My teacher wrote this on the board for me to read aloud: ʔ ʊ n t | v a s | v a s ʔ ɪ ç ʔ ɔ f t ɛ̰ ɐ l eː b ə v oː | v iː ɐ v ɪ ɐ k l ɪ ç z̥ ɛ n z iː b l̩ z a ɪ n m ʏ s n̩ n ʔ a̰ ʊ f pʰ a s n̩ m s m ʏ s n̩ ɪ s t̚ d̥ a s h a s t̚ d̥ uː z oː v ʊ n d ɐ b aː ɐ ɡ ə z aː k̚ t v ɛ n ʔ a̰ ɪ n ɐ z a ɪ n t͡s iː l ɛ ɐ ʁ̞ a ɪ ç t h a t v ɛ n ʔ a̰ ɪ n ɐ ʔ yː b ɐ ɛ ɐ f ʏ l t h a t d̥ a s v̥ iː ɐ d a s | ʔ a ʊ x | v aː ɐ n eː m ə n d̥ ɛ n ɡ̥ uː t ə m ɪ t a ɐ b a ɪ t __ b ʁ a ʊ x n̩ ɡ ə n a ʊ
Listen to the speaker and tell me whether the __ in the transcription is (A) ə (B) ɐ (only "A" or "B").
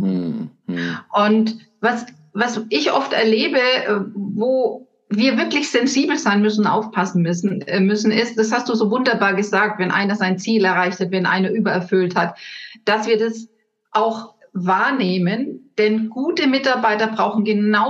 B